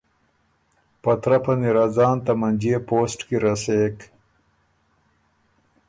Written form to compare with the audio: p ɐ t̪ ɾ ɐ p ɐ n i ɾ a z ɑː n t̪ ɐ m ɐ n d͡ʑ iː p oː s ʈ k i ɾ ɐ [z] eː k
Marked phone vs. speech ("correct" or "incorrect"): incorrect